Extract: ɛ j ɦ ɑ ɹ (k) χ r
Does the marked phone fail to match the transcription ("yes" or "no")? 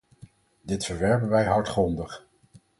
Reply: yes